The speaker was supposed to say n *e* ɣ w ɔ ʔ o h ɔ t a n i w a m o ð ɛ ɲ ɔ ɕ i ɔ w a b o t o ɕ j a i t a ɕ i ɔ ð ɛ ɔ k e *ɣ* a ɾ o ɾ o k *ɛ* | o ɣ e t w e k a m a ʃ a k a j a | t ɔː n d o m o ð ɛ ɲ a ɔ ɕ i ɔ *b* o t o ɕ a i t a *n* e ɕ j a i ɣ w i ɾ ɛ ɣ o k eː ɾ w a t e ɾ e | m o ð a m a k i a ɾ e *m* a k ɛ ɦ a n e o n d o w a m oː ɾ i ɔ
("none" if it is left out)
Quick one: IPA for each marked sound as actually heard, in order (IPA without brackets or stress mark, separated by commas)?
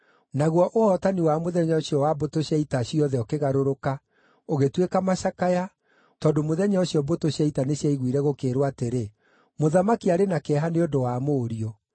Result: a, ɣ, a, b, n, n